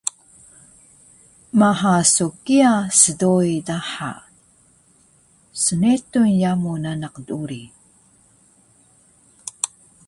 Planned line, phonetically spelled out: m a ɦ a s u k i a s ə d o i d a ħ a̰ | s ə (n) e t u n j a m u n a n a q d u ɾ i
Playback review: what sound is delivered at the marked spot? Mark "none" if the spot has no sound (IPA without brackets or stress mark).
n